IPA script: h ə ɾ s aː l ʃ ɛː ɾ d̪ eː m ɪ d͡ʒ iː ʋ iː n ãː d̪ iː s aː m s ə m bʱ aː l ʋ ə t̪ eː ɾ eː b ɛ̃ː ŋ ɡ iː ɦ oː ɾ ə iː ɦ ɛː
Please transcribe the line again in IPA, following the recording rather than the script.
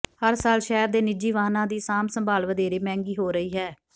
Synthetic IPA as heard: h ə ɾ s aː l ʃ ɛː ɾ d̪ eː n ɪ d͡ʒ iː ʋ aː n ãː d̪ iː s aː m s ə m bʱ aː l ʋ ə d̪ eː ɾ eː m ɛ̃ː ŋ ɡ iː ɦ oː ɾ ə iː ɦ ɛː